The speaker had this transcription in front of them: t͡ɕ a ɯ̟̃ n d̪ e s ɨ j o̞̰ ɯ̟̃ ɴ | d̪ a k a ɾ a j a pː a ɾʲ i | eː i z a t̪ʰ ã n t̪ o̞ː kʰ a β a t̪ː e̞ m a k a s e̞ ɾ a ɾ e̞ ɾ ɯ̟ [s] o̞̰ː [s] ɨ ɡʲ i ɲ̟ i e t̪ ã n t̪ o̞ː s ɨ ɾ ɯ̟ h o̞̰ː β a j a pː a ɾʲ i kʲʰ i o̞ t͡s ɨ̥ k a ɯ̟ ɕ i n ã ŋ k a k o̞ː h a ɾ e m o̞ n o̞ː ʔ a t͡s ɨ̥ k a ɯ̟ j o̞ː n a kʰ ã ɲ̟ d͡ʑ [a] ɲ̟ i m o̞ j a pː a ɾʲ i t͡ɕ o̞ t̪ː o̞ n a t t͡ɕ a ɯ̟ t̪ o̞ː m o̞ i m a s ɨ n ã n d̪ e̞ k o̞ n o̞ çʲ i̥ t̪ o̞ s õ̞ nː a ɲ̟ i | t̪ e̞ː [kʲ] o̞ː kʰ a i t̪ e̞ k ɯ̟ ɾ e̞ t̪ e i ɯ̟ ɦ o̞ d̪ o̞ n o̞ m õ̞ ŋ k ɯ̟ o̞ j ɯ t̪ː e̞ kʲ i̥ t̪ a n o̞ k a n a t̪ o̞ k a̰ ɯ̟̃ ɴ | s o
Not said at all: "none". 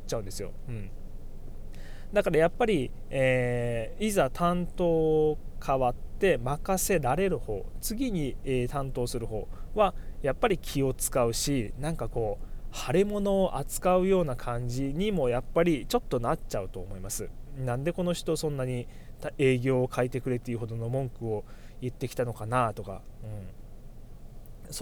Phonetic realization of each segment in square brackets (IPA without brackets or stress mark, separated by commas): h, t͡s, i, ɡʲ